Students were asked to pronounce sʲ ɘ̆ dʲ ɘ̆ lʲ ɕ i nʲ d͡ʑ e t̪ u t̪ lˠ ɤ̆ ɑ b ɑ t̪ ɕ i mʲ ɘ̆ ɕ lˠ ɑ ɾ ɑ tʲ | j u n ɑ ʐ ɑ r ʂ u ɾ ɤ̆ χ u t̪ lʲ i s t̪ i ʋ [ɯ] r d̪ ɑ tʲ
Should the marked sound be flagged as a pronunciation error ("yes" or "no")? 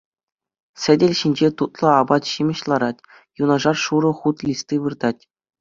no